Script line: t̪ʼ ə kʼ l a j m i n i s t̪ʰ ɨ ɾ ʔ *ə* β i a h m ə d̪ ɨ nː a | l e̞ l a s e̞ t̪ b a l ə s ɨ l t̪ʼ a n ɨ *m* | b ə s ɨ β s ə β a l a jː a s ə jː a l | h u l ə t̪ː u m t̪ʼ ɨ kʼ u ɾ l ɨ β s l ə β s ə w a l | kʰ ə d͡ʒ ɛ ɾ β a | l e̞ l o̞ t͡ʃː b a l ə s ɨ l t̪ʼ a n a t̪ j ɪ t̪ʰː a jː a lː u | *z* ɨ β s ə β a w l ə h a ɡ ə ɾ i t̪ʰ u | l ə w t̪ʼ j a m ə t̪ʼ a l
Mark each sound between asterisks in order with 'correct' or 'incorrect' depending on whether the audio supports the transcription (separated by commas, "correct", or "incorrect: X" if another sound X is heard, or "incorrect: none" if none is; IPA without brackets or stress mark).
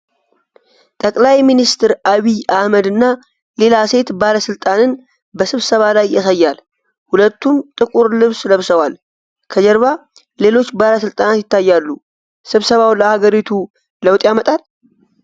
incorrect: a, incorrect: n, incorrect: s